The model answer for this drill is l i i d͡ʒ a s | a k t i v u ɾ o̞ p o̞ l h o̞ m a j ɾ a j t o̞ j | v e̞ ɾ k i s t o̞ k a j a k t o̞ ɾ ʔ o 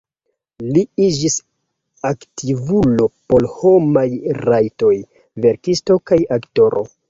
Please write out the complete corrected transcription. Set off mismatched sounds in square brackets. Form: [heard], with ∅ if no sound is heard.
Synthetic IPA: l i i d͡ʒ [i] s | a k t i v u [l] o̞ p o̞ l h o̞ m a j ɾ a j t o̞ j | v e̞ ɾ k i s t o̞ k a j a k t o̞ ɾ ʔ o

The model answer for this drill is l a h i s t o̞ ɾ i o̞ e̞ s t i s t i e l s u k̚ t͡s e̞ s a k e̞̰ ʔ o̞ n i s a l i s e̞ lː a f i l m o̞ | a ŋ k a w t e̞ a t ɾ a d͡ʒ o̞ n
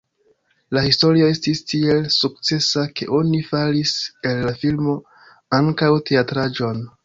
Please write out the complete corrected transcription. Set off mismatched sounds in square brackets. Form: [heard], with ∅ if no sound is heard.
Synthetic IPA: l a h i s t o̞ ɾ i o̞ e̞ s t i s t i e l s u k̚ t͡s e̞ s a k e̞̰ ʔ o̞ n i [f] a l i s e̞ lː a f i l m o̞ | a ŋ k a w t e̞ a t ɾ a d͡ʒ o̞ n

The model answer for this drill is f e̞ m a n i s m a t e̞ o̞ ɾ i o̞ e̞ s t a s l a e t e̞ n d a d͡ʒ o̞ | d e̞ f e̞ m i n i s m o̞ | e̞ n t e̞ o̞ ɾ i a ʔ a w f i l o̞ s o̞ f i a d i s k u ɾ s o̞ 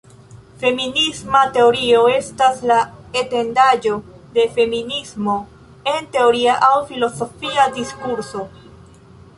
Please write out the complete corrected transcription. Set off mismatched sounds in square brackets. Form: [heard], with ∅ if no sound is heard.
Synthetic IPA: f e̞ m [i] n i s m a t e̞ o̞ ɾ i o̞ e̞ s t a s l a e t e̞ n d a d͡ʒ o̞ | d e̞ f e̞ m i n i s m o̞ | e̞ n t e̞ o̞ ɾ i a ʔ a w f i l o̞ s o̞ f i a d i s k u ɾ s o̞

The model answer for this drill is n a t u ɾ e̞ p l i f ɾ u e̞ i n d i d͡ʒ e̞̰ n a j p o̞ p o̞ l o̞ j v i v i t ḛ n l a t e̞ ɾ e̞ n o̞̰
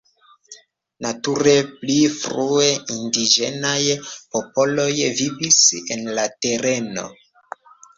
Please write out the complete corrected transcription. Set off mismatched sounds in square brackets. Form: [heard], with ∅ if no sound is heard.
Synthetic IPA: n a t u ɾ e̞ p l i f ɾ u e̞ i n d i d͡ʒ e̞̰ n a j p o̞ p o̞ l o̞ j v i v i [s] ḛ n l a t e̞ ɾ e̞ n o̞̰

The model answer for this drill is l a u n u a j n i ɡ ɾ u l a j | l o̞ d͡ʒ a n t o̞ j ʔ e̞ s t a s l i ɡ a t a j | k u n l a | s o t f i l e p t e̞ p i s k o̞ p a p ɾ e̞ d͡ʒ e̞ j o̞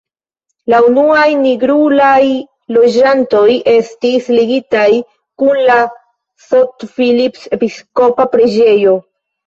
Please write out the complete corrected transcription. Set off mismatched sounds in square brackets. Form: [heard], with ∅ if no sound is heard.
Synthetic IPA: l a u n u a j n i ɡ ɾ u l a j | l o̞ d͡ʒ a n t o̞ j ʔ e̞ s t [i] s l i ɡ [i] t a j | k u n l a | s o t f i l [i] p [s] e̞ p i s k o̞ p a p ɾ e̞ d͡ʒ e̞ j o̞

